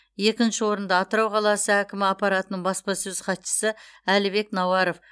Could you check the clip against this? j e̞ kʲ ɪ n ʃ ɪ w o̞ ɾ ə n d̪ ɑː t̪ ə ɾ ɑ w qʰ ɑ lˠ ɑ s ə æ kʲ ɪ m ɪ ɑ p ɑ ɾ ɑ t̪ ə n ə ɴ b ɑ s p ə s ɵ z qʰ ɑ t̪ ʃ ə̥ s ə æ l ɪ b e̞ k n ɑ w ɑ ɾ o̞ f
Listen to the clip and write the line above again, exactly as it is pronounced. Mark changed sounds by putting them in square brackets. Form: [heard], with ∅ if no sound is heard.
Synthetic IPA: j e̞ kʲ ɪ n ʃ ɪ w o̞ ɾ ə n d̪ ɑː t̪ ə ɾ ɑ w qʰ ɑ lˠ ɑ s ə æ kʲ ɪ m ɪ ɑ p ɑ ɾ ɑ t̪ ə n ə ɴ b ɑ s p [ɑ] s ɵ z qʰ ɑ t̪ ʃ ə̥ s ə æ l ɪ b e̞ k n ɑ w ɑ ɾ o̞ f